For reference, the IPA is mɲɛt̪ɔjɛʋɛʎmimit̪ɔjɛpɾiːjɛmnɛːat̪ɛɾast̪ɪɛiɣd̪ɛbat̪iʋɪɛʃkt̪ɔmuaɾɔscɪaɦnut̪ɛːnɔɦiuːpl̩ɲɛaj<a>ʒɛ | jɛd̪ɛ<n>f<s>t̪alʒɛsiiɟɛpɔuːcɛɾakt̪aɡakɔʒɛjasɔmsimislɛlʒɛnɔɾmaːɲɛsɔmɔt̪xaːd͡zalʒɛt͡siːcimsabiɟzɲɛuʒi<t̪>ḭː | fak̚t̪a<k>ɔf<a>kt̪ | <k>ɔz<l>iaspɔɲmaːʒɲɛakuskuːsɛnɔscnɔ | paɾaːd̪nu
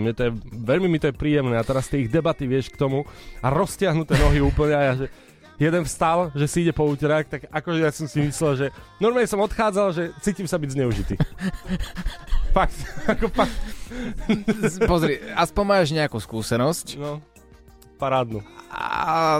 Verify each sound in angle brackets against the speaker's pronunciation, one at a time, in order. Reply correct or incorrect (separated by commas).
correct, correct, correct, correct, correct, correct, incorrect, incorrect